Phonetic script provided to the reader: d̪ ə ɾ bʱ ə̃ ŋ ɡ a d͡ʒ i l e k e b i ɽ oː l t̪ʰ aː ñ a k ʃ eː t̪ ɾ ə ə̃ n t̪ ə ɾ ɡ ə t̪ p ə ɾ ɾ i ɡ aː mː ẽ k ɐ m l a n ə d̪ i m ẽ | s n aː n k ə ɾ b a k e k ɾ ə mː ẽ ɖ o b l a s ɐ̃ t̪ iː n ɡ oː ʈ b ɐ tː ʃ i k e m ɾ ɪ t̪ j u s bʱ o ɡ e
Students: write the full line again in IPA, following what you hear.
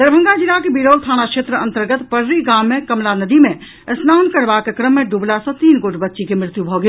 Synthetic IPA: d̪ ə ɾ bʱ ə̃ ŋ ɡ a d͡ʒ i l a k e b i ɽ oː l t̪ʰ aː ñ a k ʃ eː t̪ ɾ ə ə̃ n t̪ ə ɾ ɡ ə t̪ p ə ɾ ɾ i ɡ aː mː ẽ k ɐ m l a n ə d̪ i m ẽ | s n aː n k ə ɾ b a k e k ɾ ə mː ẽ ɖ u b l a s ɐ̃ t̪ iː n ɡ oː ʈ b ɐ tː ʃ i k e m ɾ ɪ t̪ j u bʱ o ɡ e